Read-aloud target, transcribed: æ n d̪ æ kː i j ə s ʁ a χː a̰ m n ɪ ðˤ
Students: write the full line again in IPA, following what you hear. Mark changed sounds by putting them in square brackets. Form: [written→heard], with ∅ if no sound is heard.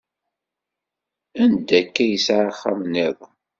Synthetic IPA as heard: æ n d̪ æ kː [i→æ] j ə s [ʁ→ʕ] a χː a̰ m n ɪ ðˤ